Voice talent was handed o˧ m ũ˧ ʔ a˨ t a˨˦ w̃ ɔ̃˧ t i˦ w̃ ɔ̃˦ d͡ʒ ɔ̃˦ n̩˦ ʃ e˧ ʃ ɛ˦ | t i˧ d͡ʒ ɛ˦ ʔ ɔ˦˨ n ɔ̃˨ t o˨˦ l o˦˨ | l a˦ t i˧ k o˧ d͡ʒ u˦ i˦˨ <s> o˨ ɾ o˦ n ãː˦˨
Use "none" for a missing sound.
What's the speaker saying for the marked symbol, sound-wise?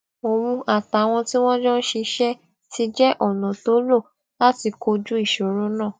ʃ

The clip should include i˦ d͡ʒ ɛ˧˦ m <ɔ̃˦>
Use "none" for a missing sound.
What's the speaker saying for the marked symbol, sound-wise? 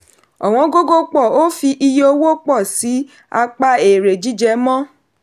ɔ̃˦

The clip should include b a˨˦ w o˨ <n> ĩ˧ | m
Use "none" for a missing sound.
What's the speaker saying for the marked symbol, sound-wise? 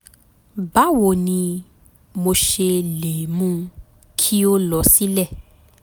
n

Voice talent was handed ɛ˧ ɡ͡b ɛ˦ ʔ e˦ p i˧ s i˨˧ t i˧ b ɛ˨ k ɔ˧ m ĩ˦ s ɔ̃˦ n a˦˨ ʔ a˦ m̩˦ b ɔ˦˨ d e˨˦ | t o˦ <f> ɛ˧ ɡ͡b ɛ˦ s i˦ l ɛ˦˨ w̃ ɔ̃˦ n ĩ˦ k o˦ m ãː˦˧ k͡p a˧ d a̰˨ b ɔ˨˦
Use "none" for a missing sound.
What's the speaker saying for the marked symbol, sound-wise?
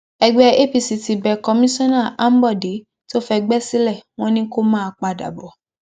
f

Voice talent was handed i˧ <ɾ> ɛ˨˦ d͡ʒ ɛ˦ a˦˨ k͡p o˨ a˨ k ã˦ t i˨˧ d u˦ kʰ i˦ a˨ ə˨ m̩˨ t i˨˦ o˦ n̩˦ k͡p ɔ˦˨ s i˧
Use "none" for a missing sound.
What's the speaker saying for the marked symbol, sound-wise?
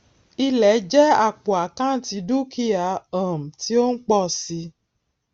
l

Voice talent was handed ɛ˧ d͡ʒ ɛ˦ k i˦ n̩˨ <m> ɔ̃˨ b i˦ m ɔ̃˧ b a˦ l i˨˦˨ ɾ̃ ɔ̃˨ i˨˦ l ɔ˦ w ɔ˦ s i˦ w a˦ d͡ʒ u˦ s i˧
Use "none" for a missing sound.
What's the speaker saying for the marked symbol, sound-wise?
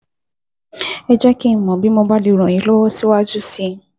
m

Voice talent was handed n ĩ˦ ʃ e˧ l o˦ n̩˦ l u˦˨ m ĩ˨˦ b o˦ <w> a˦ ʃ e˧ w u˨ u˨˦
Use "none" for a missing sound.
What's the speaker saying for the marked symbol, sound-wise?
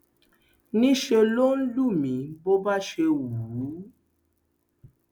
b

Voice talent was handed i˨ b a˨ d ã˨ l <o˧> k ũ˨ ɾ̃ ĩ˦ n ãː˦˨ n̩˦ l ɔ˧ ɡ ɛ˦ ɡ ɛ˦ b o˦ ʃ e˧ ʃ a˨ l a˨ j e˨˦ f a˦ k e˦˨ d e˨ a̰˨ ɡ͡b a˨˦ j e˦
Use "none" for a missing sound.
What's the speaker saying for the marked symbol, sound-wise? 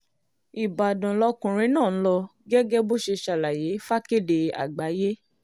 ɔ˧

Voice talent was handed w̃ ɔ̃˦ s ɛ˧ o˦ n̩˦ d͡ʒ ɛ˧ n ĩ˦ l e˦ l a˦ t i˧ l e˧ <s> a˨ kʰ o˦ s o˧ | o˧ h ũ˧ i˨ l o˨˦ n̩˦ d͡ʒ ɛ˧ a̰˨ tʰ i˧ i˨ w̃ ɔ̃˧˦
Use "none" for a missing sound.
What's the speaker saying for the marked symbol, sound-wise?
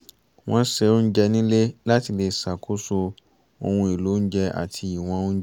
s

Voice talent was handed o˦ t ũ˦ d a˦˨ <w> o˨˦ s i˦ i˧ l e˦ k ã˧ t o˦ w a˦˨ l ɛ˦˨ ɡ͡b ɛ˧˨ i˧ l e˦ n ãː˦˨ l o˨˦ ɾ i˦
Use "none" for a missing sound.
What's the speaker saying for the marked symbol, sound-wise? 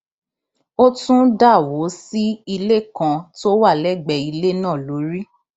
w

